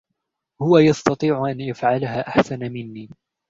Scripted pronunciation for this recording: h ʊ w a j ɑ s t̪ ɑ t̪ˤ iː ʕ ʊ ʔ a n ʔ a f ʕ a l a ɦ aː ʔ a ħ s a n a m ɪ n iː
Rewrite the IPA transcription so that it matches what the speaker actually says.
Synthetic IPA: h ʊ w a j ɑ s t̪ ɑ t̪ˤ iː ʕ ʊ ʔ a n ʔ a f ʕ a l a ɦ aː ʔ a ħ s a n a m ɪ nː iː